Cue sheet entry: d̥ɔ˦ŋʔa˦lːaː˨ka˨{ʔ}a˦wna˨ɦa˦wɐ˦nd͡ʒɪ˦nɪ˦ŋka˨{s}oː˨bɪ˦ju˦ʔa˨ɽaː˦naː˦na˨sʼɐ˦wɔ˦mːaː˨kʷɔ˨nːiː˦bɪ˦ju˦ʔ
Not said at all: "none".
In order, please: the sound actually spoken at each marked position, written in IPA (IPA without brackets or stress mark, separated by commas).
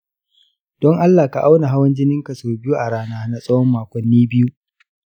ʔ, s